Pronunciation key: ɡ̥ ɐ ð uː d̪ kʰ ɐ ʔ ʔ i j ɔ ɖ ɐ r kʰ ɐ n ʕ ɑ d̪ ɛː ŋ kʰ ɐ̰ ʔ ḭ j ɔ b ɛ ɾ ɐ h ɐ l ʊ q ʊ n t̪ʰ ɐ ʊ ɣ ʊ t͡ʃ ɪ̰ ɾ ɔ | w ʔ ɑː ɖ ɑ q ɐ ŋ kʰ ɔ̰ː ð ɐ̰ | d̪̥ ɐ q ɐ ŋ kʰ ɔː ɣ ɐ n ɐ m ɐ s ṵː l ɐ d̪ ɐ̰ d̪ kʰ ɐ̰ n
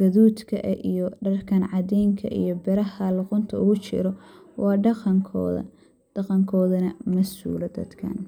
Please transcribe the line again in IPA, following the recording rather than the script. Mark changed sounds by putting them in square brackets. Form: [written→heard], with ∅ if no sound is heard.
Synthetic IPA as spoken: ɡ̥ ɐ ð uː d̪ kʰ ɐ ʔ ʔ i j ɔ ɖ ɐ r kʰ ɐ n ʕ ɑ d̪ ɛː ŋ kʰ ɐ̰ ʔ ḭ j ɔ b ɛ ɾ ɐ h ɐ l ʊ q ʊ n t̪ʰ ɐ ʊ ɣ ʊ t͡ʃ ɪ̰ ɾ ɔ | w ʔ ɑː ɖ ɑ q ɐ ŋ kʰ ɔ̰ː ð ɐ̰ | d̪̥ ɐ q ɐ ŋ kʰ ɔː [ɣ→ð] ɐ n ɐ m ɐ s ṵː l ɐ d̪ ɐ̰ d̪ kʰ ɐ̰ n